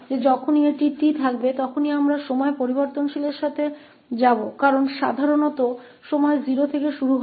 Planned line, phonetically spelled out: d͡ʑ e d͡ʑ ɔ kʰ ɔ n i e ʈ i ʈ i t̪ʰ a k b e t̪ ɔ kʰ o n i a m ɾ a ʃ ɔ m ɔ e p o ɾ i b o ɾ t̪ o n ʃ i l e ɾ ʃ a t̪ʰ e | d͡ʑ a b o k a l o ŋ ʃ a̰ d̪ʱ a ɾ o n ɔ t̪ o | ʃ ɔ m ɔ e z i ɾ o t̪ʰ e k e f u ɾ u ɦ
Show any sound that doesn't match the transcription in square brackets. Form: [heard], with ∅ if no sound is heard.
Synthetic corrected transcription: d͡ʑ e d͡ʑ ɔ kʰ [o] n i e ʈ i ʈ i t̪ʰ a k b e t̪ ɔ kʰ o n i a m ɾ a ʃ ɔ m ɔ e p o ɾ i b o ɾ t̪ o n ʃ i l e ɾ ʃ a t̪ʰ e | d͡ʑ a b o k a [ɾ] o [n] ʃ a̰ d̪ʱ a ɾ o n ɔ t̪ o | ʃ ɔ m ɔ e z i ɾ o t̪ʰ e k e [ʃ] u ɾ u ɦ